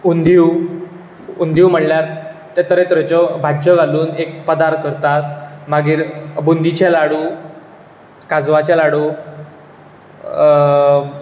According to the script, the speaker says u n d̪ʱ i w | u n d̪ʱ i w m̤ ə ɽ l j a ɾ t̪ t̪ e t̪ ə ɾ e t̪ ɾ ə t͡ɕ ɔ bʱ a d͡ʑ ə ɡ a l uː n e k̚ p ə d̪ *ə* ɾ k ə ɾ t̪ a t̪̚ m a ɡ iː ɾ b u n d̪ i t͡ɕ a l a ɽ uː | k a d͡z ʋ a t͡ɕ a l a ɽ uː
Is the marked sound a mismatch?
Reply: yes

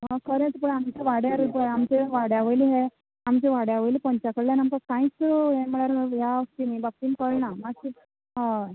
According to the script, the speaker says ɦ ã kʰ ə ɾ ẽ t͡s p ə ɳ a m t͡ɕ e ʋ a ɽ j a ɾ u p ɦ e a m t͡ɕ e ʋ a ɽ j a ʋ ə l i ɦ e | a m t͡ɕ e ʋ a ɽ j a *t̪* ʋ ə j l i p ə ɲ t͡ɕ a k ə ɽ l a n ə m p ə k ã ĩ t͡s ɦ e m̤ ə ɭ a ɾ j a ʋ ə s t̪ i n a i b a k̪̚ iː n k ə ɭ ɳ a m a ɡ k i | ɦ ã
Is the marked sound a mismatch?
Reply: yes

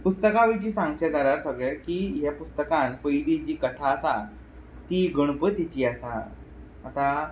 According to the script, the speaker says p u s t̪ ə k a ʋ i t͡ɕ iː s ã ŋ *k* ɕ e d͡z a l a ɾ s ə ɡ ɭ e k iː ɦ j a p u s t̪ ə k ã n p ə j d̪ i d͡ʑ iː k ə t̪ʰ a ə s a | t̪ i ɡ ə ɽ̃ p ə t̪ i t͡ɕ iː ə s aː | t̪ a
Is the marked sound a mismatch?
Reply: yes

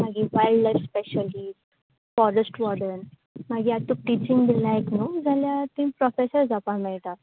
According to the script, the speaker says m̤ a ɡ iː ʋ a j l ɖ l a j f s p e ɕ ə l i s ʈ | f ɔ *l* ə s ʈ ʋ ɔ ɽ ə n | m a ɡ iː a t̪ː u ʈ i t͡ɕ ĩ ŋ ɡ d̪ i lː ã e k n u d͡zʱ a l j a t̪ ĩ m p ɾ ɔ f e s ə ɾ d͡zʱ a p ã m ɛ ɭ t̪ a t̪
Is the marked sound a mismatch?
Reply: yes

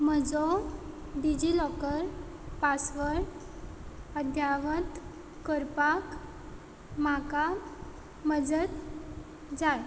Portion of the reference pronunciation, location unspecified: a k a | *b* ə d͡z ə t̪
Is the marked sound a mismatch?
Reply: yes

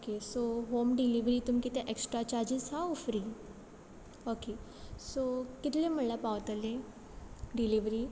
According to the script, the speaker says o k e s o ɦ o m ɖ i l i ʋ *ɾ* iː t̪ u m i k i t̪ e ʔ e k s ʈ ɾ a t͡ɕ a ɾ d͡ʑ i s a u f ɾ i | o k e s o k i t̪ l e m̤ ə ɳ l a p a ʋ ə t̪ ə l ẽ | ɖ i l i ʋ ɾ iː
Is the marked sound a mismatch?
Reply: no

